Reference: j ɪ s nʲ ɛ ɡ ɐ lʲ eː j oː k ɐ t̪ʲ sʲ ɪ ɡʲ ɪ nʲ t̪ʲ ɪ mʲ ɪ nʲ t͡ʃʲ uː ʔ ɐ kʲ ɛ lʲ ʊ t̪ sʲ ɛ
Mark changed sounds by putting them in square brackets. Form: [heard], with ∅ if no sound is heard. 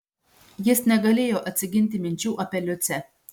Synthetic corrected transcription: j ɪ s nʲ ɛ ɡ ɐ lʲ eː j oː [ʔ] ɐ t̪ʲ sʲ ɪ ɡʲ ɪ nʲ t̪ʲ ɪ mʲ ɪ nʲ t͡ʃʲ uː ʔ ɐ [pʲ] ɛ lʲ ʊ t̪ sʲ ɛ